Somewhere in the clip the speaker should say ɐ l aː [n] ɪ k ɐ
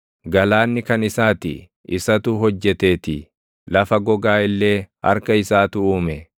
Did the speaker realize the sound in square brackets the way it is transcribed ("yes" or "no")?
no